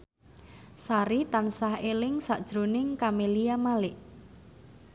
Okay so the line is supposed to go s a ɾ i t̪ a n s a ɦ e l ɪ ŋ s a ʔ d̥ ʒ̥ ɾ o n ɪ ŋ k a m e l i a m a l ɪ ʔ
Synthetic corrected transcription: s a ɾ i t̪ a n s a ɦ e l ɪ ŋ s a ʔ d̥ ʒ̥ ɾ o n ɪ ŋ k a m e l i a m a l ɪ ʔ